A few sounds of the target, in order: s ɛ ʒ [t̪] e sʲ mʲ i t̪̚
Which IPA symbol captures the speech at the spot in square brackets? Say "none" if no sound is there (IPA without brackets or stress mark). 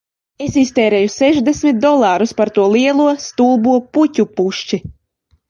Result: d̪